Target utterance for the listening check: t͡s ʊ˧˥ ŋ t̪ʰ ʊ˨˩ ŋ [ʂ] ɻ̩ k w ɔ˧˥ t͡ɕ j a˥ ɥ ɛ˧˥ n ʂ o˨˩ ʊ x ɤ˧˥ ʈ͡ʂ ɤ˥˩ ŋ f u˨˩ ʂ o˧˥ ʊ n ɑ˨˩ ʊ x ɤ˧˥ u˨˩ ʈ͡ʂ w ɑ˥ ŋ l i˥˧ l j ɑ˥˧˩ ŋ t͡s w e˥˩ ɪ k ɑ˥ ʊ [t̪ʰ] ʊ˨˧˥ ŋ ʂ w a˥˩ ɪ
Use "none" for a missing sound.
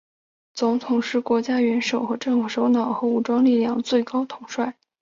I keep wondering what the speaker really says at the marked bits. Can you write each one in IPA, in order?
ʂ, t̪ʰ

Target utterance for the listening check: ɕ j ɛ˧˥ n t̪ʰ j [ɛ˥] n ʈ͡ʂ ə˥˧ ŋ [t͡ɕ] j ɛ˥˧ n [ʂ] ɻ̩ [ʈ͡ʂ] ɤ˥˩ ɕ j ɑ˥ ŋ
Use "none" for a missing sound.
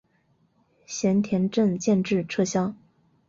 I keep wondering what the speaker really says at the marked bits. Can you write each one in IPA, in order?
ɛ˧˥, t͡ɕ, ʈ͡ʂ, ʈ͡ʂʰ

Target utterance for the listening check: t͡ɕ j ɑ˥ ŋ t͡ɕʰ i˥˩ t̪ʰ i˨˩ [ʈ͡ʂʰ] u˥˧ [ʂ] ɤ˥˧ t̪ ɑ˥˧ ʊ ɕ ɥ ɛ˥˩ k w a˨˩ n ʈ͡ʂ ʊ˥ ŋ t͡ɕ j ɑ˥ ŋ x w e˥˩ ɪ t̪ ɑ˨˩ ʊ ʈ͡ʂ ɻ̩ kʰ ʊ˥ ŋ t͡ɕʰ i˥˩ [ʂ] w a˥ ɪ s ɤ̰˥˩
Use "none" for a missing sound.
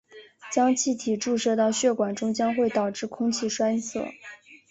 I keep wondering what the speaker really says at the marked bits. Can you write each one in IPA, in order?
ʈ͡ʂ, ʂ, ʂ

